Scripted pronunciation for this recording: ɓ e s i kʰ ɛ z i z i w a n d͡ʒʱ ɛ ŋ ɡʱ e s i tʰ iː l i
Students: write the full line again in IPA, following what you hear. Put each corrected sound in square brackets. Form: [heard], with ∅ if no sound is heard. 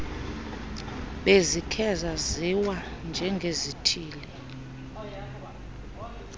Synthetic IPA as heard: ɓ e [z] i kʰ ɛ z [a] z i w a n d͡ʒʱ ɛ ŋ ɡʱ e [z] i tʰ iː l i

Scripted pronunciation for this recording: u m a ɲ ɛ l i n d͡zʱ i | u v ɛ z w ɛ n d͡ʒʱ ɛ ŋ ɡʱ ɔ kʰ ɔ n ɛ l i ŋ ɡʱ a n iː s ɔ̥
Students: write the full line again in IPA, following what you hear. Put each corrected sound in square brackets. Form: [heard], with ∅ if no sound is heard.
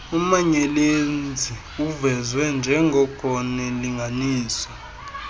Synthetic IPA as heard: u m a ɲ ɛ l [e] n d͡zʱ i | u v ɛ z w ɛ n d͡ʒʱ ɛ ŋ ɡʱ ɔ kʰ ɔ n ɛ l i ŋ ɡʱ a n iː s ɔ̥

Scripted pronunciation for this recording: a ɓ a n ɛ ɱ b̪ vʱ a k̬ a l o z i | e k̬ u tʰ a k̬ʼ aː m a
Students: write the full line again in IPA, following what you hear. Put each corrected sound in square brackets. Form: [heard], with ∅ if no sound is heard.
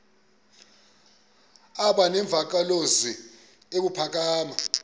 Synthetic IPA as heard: a ɓ a n ɛ ɱ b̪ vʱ a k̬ a l o z i | e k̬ u [pʰ] a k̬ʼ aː m a

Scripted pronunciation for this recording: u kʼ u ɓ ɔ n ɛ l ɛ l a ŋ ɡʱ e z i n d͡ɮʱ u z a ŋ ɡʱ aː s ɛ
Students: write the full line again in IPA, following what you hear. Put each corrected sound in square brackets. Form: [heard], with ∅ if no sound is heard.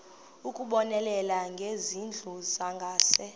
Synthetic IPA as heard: u kʼ u ɓ ɔ n ɛ l ɛ l a ŋ ɡʱ e z i n d͡ɮʱ u z a ŋ ɡʱ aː s ɛ

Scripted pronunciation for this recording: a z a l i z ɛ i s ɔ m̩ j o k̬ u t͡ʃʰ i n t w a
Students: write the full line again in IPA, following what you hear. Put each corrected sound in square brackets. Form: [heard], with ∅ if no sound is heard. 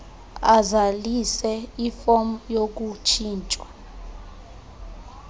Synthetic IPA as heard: a z a l i [s] ɛ i [f] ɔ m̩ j o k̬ u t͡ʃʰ [iː] n [t͡ʃʼ] w a

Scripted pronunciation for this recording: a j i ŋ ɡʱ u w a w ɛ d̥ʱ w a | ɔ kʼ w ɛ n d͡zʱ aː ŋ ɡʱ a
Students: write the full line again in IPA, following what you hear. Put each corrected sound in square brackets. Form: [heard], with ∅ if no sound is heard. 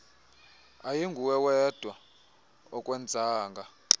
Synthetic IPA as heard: a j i ŋ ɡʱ u w [ɛ] w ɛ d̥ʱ w a | ɔ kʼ w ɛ n d͡zʱ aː ŋ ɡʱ a

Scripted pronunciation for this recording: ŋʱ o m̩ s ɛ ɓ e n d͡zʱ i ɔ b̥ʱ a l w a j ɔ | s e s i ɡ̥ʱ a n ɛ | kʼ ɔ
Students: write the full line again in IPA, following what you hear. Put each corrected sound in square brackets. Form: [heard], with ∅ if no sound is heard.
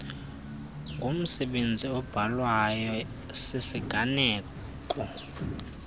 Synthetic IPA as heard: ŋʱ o m̩ s ɛ ɓ e n d͡zʱ i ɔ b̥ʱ a l w a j ɔ | s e s i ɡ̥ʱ a n [ɛː] | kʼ ɔ

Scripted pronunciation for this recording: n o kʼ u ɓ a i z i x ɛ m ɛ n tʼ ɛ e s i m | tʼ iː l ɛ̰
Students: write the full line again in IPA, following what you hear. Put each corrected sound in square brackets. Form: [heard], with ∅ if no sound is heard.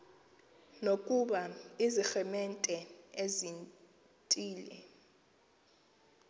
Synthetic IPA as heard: n o kʼ u ɓ a i z i x ɛ m ɛ n tʼ ɛ e [z] i [n] | tʼ iː l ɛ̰

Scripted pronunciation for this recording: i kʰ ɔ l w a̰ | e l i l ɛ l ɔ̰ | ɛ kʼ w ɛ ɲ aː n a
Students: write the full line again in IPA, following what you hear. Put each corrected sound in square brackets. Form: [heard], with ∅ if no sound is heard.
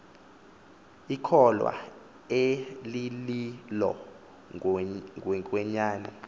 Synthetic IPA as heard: i kʰ ɔ l w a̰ | e l i l [i] l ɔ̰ | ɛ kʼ w ɛ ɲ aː n [ɛ]

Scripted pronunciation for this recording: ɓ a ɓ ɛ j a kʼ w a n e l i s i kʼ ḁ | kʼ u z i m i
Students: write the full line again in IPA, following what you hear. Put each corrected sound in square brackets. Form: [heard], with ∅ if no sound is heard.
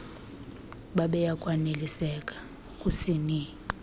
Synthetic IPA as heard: ɓ a ɓ ɛ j a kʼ w a n e l i s [ɛ] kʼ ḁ | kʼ u [s] i [n] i

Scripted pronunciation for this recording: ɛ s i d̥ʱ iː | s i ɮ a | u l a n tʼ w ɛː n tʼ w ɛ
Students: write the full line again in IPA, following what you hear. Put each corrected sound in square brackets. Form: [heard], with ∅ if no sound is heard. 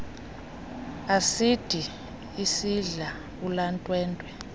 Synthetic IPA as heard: [a] s i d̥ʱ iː | s i ɮ a | u l a n tʼ w ɛː n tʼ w ɛ

